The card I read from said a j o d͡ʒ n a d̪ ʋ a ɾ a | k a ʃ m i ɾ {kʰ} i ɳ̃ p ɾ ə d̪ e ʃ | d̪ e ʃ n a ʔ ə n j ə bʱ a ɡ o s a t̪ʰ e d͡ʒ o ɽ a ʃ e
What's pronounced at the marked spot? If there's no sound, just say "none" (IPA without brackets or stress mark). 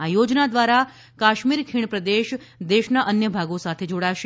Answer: kʰ